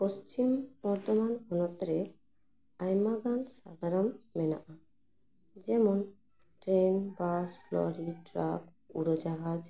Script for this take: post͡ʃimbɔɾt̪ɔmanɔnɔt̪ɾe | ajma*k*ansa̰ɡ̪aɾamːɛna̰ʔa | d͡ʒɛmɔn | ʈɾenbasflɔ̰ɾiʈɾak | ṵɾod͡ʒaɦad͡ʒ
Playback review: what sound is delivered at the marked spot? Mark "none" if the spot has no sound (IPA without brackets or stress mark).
ɡ